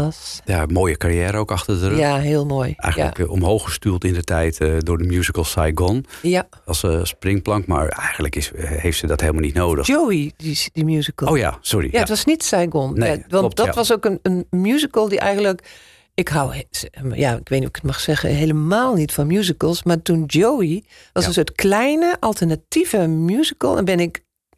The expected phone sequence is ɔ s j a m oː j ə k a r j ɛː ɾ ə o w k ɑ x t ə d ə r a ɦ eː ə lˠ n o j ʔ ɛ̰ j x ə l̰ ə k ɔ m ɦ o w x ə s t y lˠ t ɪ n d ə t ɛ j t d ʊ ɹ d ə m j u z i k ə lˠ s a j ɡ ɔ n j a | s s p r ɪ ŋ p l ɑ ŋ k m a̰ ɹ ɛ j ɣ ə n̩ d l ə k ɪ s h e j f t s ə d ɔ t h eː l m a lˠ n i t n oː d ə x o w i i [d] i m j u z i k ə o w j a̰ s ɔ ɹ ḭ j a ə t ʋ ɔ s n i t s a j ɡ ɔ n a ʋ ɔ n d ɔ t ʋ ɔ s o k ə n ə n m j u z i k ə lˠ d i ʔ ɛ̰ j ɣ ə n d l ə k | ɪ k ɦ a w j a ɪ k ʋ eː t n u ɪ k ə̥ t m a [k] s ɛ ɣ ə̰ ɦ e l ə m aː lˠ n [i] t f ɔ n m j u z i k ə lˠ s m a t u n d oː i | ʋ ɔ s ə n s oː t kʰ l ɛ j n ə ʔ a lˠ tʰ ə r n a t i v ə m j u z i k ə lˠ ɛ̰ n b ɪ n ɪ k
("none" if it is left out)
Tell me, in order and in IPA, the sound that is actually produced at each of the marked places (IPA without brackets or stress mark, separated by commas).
d, x, i